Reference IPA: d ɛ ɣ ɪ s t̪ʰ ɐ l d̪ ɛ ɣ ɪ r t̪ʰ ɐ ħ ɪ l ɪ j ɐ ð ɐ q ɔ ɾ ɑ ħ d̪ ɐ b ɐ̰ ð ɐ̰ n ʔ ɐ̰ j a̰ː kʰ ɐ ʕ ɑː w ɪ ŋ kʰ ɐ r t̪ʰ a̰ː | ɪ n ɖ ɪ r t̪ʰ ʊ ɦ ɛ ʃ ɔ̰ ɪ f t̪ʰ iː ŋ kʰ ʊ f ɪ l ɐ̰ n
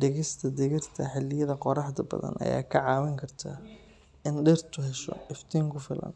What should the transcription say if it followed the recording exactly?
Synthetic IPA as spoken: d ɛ ɣ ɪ s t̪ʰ ɐ d̪ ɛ ɣ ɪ r t̪ʰ ɐ ħ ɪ l ɪ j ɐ ð ɐ q ɔ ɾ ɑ ħ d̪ ɐ b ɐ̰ ð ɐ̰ n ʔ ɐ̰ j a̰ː kʰ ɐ ʕ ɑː w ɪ ŋ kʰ ɐ r t̪ʰ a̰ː | ɪ n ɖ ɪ r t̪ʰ ʊ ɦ ɛ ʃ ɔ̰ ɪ f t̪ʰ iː ŋ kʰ ʊ f ɪ l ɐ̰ n